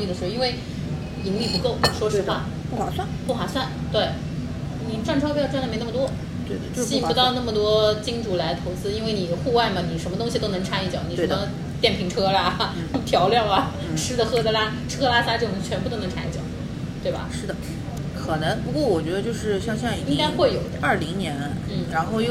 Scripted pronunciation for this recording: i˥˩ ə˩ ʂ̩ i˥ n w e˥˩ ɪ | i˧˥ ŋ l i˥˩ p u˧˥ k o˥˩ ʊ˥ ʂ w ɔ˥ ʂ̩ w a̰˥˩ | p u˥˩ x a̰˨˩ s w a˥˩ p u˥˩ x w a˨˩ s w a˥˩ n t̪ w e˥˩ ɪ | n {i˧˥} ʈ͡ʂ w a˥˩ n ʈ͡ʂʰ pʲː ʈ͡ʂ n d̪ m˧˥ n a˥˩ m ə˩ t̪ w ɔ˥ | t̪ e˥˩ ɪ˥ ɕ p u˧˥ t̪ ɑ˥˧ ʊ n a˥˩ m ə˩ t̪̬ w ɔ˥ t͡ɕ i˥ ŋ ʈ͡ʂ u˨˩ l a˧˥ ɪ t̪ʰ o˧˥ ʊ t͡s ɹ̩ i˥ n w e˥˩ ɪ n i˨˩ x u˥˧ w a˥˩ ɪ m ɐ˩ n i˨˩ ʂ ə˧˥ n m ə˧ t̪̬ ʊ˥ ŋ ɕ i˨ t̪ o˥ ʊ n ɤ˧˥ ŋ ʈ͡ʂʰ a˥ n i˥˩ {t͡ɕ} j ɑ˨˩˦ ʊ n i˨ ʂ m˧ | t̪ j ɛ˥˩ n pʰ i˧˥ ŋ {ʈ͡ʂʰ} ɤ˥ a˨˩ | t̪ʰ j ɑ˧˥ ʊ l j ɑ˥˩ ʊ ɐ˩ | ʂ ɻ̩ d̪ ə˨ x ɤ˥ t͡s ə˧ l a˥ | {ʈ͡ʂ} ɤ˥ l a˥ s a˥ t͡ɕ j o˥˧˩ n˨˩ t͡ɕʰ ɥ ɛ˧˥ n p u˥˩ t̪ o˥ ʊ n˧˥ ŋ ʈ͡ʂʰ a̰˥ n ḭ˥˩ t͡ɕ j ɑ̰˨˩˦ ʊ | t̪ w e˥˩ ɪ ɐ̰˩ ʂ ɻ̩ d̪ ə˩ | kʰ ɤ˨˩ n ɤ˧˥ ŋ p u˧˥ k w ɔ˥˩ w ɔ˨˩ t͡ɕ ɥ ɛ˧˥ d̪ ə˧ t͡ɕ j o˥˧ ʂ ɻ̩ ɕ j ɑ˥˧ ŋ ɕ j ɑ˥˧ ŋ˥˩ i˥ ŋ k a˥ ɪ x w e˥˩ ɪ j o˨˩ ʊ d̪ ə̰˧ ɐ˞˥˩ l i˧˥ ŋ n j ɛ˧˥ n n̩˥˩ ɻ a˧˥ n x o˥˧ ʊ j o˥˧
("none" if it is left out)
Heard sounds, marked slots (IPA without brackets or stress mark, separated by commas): i˨˩, t͡ɕ, ʈ͡ʂʰ, ʈ͡ʂʰ